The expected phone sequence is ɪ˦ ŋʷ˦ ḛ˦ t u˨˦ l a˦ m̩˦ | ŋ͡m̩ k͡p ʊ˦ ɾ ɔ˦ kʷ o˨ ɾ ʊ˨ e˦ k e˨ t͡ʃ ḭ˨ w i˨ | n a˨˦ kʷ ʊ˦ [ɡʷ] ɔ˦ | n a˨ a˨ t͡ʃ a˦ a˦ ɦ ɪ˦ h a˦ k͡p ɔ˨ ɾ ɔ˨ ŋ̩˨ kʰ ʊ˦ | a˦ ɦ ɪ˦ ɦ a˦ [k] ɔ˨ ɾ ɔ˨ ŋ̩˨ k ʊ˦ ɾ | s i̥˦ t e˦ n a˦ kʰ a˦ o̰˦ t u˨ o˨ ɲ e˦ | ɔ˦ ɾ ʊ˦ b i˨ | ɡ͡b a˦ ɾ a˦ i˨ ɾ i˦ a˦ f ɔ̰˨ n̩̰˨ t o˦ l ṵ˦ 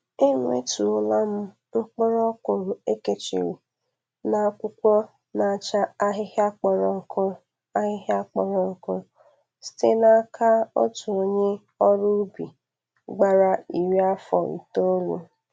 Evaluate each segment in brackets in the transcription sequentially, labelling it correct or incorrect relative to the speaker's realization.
incorrect: kʷ, incorrect: k͡p

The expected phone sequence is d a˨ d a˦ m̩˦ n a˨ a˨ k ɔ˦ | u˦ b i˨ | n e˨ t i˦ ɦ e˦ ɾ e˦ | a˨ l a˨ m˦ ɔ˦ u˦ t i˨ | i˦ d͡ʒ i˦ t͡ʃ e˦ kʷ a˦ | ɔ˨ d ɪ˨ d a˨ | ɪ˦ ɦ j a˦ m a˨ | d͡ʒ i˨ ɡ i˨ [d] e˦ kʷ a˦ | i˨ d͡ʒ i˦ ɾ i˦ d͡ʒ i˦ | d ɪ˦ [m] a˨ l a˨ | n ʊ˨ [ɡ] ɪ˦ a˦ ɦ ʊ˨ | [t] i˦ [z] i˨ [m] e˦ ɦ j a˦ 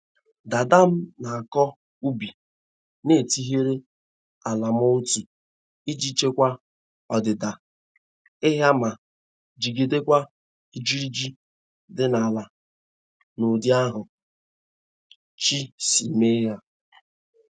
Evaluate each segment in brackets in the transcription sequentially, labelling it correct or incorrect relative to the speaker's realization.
correct, incorrect: n, incorrect: d, incorrect: t͡ʃ, incorrect: s, correct

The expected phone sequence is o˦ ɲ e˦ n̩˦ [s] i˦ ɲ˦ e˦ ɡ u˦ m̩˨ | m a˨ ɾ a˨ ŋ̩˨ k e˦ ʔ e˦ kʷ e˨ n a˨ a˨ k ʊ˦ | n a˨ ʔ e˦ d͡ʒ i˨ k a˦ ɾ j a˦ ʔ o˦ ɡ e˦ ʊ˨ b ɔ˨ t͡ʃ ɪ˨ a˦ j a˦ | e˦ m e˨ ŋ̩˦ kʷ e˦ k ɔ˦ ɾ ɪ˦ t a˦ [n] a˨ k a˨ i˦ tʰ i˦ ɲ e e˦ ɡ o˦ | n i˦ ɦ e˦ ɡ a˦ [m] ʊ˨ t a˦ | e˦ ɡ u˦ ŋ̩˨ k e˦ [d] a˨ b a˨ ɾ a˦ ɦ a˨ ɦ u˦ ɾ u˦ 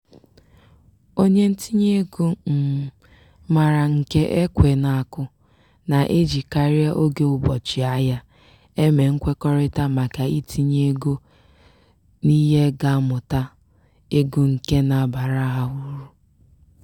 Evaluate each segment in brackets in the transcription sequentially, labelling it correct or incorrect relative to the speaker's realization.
incorrect: t, incorrect: m, correct, incorrect: n

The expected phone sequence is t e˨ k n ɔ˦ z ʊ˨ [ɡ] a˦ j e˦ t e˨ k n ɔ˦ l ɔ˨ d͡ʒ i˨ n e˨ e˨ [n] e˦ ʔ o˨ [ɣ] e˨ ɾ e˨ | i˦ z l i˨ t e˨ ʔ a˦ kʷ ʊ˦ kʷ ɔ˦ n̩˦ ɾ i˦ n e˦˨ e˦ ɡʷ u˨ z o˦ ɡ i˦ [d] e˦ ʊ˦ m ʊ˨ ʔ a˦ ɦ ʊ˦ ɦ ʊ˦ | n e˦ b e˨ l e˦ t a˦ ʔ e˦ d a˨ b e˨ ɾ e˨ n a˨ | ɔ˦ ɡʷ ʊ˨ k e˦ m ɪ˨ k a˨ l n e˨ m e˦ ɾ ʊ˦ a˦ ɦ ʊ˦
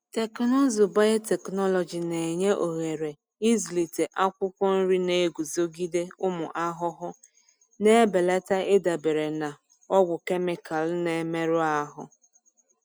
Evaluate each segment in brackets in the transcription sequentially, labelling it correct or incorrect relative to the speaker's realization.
incorrect: b, incorrect: ɲ, correct, correct

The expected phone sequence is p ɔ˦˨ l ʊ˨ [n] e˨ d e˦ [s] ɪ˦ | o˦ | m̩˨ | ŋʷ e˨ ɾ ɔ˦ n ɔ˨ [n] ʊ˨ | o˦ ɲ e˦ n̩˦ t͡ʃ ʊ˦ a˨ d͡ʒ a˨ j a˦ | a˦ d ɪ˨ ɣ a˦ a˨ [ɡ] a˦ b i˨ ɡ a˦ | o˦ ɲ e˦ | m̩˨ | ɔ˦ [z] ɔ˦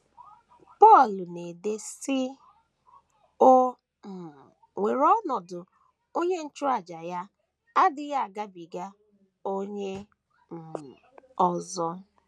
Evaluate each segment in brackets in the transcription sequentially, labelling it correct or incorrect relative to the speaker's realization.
correct, correct, incorrect: d, correct, correct

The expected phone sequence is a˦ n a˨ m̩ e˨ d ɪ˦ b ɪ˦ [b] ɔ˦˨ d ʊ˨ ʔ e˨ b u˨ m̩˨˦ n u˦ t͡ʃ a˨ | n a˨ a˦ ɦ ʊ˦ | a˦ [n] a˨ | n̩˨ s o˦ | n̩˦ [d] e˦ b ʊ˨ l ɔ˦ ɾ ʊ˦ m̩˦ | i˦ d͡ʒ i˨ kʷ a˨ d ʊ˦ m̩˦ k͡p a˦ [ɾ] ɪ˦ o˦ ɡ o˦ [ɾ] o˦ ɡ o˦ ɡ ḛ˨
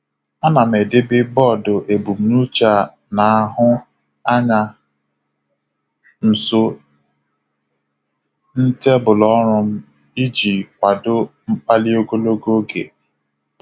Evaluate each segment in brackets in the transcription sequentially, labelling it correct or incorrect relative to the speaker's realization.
correct, incorrect: ɲ, incorrect: t, incorrect: l, incorrect: l

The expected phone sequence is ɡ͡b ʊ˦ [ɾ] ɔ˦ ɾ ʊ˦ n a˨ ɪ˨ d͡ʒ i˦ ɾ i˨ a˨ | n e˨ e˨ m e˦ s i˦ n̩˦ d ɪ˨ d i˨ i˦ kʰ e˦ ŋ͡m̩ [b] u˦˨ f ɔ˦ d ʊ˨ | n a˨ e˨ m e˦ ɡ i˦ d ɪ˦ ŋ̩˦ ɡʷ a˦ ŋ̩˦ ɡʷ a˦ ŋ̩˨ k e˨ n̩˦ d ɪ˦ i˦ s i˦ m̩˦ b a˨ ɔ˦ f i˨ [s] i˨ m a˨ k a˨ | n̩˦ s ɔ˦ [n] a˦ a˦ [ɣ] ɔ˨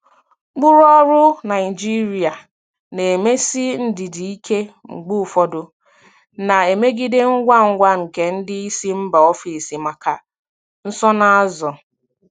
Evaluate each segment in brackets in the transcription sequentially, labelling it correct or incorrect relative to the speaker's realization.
correct, incorrect: ɡ͡b, correct, correct, incorrect: z

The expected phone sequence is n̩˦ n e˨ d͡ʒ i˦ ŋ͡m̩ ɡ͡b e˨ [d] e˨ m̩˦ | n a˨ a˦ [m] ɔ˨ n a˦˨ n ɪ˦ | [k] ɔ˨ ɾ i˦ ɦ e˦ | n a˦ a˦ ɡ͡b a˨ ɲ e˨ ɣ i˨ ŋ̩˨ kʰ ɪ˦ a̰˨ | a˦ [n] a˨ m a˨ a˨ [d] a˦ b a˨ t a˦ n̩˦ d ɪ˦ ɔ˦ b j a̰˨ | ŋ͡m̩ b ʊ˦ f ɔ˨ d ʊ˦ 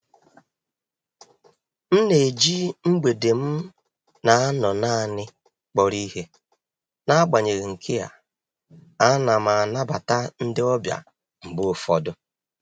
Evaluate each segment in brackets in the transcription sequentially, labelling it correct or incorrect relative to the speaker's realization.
correct, incorrect: n, incorrect: k͡p, correct, incorrect: n

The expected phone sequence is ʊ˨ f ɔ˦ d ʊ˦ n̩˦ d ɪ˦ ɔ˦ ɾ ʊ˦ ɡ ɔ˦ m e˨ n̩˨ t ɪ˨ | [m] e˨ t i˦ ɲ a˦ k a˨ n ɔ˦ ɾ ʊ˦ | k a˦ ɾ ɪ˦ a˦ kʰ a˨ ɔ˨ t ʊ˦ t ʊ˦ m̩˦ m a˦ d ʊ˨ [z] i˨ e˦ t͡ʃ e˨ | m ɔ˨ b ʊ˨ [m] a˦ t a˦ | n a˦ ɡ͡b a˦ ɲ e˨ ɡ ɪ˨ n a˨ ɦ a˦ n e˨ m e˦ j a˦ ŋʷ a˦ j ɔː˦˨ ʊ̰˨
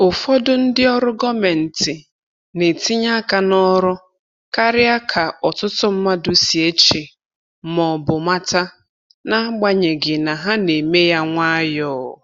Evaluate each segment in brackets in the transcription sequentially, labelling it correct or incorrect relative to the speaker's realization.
incorrect: n, incorrect: s, correct

